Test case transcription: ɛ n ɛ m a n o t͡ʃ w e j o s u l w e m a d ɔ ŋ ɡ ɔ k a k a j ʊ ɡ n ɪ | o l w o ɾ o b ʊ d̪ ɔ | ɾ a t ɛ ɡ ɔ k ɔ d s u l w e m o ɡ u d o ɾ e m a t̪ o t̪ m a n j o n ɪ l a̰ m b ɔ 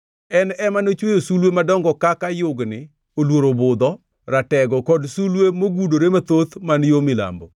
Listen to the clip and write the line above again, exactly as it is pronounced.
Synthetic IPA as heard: ɛ n ɛ m a n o t͡ʃ w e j o s u l w e m a d ɔ ŋ ɡ ɔ k a k a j ʊ ɡ n ɪ | o l w o ɾ o b ʊ d̪ ɔ | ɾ a t ɛ ɡ ɔ k ɔ d s u l w e m o ɡ u d o ɾ e m a t̪ o t̪ m a n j o m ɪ l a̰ m b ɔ